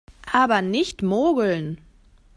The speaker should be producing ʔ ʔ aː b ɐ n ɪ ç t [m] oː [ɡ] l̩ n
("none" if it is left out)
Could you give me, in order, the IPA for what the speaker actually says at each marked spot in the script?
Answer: m, ɡ

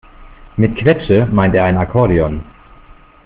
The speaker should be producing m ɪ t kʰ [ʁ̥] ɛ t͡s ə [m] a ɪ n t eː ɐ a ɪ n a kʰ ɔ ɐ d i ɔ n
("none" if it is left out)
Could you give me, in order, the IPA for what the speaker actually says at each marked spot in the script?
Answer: v̥, m

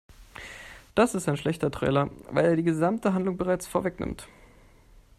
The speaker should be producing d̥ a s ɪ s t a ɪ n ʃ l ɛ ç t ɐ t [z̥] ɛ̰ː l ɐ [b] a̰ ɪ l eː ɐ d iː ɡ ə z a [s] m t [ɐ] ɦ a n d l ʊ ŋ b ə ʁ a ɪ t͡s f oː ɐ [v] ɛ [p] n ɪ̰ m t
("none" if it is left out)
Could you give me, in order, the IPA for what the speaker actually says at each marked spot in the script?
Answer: ʁ̥, v, none, ə, v, k

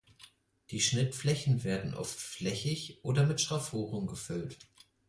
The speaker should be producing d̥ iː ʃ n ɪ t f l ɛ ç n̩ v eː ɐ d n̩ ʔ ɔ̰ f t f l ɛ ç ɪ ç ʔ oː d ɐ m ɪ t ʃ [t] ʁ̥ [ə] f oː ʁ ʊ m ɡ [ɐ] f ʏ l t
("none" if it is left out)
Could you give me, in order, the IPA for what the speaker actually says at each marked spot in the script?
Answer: t, a, ə

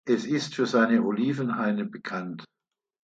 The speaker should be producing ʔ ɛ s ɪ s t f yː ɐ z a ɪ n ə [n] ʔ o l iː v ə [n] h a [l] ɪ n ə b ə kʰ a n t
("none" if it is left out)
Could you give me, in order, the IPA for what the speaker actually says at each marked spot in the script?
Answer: none, n, none

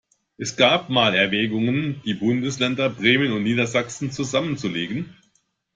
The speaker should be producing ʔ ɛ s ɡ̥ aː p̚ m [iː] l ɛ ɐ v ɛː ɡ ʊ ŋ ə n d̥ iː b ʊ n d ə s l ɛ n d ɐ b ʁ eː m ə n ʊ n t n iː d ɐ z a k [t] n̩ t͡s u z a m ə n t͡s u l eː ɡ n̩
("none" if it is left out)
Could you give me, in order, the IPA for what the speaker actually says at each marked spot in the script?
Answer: aː, s

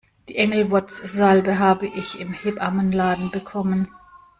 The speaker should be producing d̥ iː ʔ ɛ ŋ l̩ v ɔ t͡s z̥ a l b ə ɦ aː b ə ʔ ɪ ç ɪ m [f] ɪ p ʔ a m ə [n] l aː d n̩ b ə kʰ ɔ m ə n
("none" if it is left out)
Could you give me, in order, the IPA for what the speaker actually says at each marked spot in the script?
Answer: h, n

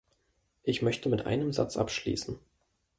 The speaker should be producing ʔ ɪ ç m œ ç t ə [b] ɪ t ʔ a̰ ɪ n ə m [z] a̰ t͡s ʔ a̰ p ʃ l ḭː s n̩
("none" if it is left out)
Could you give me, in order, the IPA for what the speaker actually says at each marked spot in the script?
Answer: m, z

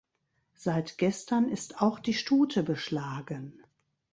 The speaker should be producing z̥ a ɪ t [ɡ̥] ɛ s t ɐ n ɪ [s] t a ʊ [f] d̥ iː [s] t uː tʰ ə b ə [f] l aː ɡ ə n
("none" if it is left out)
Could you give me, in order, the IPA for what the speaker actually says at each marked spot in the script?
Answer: ɡ̥, s, x, ʃ, ʃ

